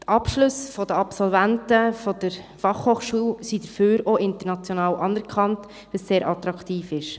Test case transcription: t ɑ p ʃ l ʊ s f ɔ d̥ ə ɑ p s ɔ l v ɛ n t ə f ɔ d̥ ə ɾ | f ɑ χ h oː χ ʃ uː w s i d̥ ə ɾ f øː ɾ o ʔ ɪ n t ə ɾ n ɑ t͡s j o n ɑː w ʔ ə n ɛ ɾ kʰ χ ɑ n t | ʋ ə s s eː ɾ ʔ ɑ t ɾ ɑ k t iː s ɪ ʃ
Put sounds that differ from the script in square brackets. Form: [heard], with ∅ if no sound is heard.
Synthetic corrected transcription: t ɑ p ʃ l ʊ s f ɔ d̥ ə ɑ p s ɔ l v [æ] n t ə f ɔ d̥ ə ɾ | f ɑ χ h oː χ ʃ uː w s i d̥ ə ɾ f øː ɾ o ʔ ɪ n t ə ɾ n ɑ t͡s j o n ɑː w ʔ [ɑ] n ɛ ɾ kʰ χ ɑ n t | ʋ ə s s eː ɾ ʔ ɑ t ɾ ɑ k t iː [f] ɪ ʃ

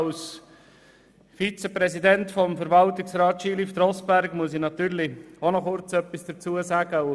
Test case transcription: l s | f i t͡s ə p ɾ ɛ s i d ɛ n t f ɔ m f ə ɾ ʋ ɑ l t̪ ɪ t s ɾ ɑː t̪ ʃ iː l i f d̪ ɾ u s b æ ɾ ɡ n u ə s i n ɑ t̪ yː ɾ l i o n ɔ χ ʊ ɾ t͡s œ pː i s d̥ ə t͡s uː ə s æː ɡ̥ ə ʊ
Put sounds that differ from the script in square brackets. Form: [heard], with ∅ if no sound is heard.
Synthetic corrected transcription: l s | f i t͡s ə p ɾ ɛ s i d ɛ n t f ɔ m f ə ɾ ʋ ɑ l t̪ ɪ [k] s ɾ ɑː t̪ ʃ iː l i f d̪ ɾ [ɔ] s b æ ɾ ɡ [m] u ə s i n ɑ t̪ yː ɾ l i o n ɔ χ ʊ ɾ t͡s œ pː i s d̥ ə t͡s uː ə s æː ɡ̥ ə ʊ

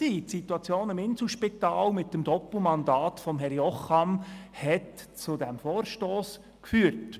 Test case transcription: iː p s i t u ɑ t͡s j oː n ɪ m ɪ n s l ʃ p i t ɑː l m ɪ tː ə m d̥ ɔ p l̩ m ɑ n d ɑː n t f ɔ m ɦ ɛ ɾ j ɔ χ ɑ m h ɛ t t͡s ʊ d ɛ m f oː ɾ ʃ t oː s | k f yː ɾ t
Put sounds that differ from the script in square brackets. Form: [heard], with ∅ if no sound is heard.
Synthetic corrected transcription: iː [t] s i t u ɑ t͡s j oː n ɪ m ɪ n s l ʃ p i t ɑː l m ɪ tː ə m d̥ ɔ p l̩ m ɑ n d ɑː [∅] t f ɔ m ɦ ɛ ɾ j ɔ χ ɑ m h ɛ t t͡s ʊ d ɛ m f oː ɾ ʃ t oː s | k f yː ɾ t

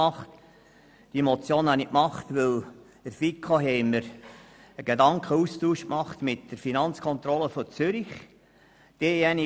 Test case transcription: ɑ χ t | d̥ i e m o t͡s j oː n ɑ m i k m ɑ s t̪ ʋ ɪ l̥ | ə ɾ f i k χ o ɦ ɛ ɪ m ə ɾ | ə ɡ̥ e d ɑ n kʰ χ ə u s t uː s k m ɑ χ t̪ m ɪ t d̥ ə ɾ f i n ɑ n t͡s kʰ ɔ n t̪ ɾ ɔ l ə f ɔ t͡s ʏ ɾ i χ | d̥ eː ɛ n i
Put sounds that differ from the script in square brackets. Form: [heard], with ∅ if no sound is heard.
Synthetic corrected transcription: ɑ χ t | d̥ i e m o t͡s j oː n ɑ [n] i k m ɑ [χ] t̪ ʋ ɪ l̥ | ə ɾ f i k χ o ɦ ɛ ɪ m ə ɾ | ə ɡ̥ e d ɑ [ŋ] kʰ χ ə u s t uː [ʃ] k m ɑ χ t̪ m ɪ t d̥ ə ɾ f i n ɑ n t͡s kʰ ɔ n t̪ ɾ ɔ l ə f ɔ t͡s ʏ ɾ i χ | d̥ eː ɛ n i

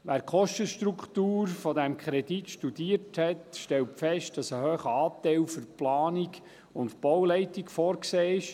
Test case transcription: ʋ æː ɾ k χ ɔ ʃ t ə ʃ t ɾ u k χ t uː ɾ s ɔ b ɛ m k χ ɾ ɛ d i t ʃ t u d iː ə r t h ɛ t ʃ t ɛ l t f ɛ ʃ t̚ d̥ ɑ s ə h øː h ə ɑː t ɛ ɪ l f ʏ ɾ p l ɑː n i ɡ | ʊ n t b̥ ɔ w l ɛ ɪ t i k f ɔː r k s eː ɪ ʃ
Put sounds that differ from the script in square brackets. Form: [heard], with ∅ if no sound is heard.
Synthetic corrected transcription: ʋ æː ɾ k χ ɔ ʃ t ə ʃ t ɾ u k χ t uː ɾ [f] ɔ [d] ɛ m k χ ɾ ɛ d i t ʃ t u d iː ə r t h ɛ t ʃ t ɛ l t f ɛ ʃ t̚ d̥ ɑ s ə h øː [χ] ə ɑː t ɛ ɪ l f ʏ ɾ p l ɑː n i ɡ | ʊ n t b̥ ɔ w l ɛ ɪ t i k f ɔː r k s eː ɪ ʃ

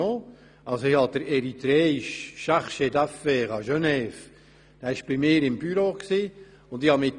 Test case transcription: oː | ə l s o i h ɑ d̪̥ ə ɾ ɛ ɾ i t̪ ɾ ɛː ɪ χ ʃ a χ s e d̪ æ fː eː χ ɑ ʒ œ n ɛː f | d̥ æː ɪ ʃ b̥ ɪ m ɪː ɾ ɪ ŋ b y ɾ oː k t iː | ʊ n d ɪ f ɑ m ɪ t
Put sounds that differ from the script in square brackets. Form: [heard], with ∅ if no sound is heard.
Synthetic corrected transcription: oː | [ɑ] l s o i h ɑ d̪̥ ə ɾ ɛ ɾ i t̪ ɾ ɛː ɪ [ʃ] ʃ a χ [ʃ] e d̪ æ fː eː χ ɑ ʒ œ n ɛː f | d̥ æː ɪ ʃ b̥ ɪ m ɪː ɾ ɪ [m] b y ɾ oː k [s] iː | ʊ n d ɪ [h] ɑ m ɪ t

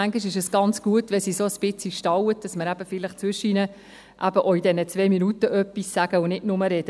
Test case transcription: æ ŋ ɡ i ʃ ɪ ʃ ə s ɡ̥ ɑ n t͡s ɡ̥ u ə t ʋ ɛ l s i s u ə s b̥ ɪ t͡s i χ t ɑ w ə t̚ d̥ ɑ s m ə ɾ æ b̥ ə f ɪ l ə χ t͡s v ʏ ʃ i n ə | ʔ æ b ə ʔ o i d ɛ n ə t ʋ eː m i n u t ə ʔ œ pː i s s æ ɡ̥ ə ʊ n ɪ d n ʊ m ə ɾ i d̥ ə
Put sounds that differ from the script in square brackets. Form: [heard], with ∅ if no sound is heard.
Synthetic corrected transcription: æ ŋ ɡ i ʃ ɪ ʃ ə s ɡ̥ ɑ n t͡s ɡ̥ u ə t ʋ ɛ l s i s [o] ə s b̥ ɪ t͡s i [ʃ] t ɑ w ə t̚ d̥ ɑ s m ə ɾ æ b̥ ə f ɪ l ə χ t͡s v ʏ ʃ i n ə | ʔ æ b ə ʔ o i d ɛ n ə [t͡s] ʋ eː m i n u t ə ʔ œ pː i s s æ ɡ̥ ə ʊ n ɪ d n ʊ m ə ɾ [ɛ] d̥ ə

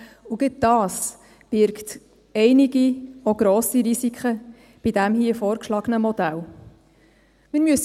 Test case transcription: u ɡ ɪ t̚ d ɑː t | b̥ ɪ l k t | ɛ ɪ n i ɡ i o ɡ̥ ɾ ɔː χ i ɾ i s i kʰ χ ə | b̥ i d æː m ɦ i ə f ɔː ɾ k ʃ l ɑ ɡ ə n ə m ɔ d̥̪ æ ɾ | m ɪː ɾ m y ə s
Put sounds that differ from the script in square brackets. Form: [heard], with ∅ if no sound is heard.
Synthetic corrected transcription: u ɡ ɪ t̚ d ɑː [s] | b̥ ɪ [ɾ] k t | ɛ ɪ n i ɡ i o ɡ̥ ɾ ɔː [s] i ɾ i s i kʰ χ ə | b̥ i d [æ] m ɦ i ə f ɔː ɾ k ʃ l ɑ ɡ ə n ə m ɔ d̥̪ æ [l] | m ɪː ɾ m y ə s

